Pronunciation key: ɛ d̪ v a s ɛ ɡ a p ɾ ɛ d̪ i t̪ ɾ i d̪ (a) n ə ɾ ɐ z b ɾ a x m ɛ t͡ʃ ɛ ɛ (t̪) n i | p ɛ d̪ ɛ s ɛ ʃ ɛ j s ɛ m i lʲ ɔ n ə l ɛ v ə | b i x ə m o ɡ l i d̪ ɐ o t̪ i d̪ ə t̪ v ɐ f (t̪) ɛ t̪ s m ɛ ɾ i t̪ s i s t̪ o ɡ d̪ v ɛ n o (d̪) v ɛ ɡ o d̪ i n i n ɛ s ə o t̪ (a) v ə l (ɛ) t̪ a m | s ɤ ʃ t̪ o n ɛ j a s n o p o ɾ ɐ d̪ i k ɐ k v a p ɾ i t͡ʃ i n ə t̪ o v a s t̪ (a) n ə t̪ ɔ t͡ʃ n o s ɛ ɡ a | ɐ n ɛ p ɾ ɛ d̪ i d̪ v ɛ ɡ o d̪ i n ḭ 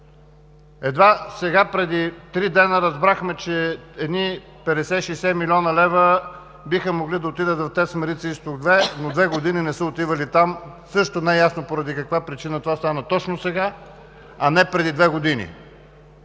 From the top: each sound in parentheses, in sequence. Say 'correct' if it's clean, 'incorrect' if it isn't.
incorrect: ɛ, incorrect: d̪, correct, correct, incorrect: i, incorrect: i, correct

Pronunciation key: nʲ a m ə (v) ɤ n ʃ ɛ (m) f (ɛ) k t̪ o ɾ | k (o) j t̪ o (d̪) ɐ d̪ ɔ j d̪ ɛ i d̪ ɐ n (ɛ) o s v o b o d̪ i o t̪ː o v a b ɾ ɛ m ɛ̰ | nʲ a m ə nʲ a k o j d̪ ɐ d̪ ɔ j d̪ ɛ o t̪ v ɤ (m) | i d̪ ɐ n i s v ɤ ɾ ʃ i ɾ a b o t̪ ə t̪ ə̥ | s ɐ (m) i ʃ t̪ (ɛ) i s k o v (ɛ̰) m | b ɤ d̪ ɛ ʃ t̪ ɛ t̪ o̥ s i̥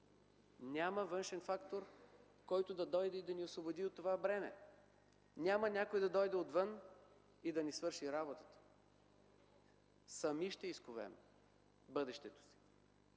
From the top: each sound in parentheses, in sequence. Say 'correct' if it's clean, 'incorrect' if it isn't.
correct, incorrect: n, incorrect: a, incorrect: ɔ, correct, incorrect: i, incorrect: n, correct, correct, correct

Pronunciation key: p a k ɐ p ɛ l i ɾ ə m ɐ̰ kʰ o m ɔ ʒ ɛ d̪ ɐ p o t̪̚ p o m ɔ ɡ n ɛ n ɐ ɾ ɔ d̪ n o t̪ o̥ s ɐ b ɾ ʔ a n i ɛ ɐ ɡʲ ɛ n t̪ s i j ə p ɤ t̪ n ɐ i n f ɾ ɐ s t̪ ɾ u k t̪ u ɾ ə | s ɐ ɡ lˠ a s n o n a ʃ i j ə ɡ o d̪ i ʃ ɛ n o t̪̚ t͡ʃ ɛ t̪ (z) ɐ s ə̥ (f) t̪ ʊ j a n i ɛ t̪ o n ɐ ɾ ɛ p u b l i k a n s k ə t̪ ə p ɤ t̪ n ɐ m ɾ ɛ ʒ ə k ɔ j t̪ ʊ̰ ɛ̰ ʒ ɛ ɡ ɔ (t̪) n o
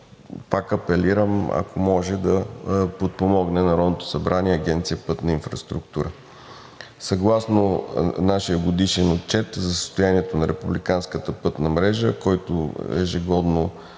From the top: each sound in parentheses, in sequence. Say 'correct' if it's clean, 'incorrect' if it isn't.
correct, incorrect: s, incorrect: d̪

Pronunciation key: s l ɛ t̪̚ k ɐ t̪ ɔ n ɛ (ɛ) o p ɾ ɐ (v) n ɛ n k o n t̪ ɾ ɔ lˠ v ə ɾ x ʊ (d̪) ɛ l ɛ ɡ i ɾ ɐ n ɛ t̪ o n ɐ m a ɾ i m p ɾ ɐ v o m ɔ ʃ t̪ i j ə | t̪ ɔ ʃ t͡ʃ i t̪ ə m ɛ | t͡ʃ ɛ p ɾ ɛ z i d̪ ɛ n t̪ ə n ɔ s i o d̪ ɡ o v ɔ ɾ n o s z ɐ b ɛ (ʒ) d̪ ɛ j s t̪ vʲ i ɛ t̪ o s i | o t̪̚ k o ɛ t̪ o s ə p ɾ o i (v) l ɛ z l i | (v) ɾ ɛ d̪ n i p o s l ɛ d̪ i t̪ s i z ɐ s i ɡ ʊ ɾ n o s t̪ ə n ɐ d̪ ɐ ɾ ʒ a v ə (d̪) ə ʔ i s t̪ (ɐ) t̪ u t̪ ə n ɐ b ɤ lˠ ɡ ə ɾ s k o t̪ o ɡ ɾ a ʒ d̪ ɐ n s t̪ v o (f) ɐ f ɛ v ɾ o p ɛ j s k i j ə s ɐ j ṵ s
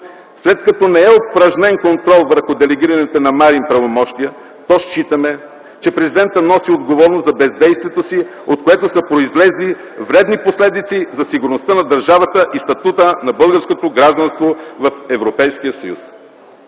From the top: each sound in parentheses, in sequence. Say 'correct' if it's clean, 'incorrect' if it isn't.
correct, incorrect: ʒ, correct, incorrect: z, incorrect: z, correct, incorrect: t̪, correct, incorrect: v

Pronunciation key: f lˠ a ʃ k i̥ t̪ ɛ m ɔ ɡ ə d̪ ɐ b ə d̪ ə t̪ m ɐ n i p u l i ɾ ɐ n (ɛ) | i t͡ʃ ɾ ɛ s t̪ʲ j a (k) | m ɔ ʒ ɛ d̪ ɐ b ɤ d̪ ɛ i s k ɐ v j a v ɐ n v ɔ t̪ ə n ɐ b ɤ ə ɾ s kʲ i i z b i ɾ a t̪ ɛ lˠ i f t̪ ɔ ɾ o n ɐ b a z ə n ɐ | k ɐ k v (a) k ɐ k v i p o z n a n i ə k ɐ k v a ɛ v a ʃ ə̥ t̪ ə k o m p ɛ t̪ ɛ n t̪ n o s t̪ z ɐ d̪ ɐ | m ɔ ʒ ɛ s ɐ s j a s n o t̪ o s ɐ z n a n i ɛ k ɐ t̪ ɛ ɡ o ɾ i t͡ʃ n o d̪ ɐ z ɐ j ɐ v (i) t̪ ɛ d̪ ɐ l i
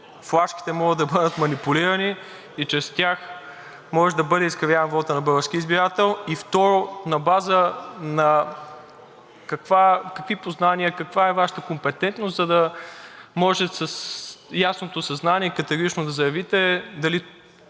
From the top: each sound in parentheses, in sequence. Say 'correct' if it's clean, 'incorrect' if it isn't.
incorrect: i, incorrect: x, correct, correct

